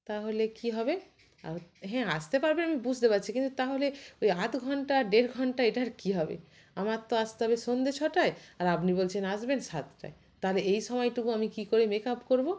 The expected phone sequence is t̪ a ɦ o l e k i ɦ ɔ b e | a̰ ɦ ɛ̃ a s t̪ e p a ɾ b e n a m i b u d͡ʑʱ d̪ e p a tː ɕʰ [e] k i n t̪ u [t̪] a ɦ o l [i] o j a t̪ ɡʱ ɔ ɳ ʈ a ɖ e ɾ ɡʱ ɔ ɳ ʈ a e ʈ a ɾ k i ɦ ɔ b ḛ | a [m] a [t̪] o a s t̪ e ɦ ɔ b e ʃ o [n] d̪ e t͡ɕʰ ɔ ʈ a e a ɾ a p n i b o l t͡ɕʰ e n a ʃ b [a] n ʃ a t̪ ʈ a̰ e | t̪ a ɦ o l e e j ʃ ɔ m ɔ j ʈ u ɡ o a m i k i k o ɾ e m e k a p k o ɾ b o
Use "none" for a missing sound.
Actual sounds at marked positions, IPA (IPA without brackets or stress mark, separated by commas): i, t̪, e, m, t̪, n, e